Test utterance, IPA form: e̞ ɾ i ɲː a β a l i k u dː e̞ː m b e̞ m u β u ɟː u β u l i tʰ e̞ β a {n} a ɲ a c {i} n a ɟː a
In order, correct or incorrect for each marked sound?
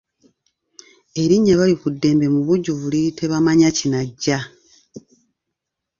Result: incorrect: m, correct

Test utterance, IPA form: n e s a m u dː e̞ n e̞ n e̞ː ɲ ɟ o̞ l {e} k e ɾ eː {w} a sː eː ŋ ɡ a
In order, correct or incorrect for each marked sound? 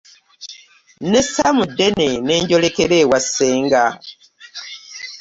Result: correct, correct

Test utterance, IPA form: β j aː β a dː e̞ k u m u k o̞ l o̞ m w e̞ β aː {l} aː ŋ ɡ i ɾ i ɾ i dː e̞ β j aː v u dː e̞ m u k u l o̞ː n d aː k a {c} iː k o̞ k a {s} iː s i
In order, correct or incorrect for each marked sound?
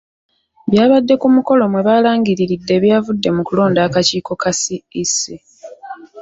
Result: correct, correct, correct

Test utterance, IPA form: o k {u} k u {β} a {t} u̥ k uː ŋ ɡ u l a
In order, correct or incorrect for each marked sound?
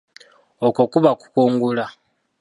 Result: incorrect: o, correct, incorrect: k

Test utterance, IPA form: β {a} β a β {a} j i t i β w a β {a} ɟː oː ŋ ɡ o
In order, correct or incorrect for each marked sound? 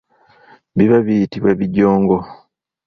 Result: incorrect: i, incorrect: i, incorrect: i

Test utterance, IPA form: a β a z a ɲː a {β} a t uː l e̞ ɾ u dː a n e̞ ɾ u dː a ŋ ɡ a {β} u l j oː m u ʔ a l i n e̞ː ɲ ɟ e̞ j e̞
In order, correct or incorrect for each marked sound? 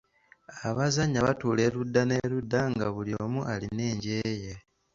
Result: correct, correct

